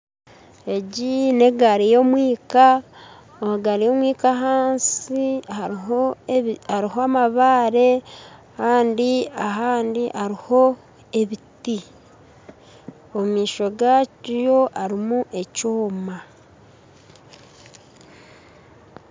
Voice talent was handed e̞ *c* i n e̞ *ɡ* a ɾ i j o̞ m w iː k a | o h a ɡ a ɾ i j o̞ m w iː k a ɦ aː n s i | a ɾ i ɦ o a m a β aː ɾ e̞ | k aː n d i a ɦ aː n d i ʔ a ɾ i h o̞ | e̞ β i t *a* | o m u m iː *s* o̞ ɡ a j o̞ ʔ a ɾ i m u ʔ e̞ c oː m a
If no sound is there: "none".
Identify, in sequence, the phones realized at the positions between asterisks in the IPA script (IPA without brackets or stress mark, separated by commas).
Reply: ɟ, ɡ, i, ʃ